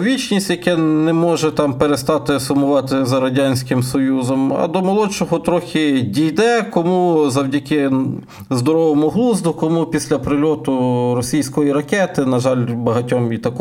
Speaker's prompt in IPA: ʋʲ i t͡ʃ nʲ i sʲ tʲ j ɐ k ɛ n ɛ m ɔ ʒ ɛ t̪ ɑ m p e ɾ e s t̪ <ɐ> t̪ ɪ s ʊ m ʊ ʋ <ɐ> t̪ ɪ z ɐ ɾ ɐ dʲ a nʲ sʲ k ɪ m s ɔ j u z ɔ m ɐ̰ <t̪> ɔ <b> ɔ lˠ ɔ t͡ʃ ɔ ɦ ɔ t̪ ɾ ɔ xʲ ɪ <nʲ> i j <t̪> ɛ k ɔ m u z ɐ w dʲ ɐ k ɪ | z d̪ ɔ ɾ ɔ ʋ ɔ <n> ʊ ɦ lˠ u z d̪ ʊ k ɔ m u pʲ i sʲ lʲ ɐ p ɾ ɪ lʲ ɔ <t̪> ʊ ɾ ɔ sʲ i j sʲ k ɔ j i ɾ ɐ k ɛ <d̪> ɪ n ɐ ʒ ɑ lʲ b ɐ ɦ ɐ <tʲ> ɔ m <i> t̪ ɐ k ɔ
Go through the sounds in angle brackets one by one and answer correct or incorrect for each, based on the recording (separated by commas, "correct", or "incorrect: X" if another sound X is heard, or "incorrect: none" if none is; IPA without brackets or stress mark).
incorrect: ɑ, incorrect: ɑ, incorrect: d̪, incorrect: m, incorrect: dʲ, incorrect: d̪, incorrect: m, correct, incorrect: t̪, correct, correct